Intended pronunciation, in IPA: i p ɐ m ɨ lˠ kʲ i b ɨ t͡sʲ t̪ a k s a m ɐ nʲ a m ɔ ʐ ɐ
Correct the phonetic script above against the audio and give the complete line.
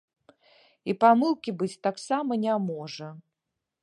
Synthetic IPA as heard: i p a m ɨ lˠ kʲ i b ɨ t͡sʲ t̪ a k s a m ɐ nʲ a m ɔ ʐ ɐ